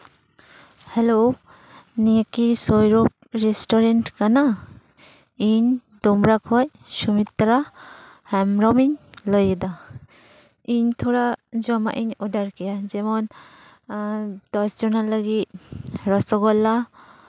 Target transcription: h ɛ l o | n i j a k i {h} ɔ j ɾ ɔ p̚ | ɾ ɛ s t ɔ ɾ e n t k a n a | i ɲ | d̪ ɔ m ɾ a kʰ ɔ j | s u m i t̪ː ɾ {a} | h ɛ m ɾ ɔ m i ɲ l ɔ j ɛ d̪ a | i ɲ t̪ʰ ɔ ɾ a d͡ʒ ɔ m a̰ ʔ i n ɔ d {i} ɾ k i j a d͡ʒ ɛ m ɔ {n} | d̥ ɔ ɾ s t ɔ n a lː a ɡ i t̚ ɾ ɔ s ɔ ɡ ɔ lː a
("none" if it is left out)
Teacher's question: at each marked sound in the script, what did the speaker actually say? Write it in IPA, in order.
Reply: s, a, a, n

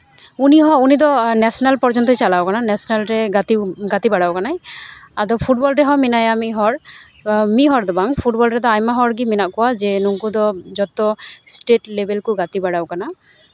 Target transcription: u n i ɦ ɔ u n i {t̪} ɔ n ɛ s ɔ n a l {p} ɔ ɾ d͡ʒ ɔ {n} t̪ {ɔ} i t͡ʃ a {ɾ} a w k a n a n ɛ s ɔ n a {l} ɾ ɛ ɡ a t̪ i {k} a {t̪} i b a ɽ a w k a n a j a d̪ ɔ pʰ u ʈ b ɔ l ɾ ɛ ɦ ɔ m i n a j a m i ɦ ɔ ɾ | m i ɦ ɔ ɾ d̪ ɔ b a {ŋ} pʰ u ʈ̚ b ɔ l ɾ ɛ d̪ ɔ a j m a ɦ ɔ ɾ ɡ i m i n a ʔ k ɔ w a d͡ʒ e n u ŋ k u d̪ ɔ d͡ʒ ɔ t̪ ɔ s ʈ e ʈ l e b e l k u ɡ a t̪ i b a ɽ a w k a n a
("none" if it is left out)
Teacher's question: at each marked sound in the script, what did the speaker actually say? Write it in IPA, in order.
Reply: d̪, p, n, ɔ, l, l, ɡ, t̪, ŋ

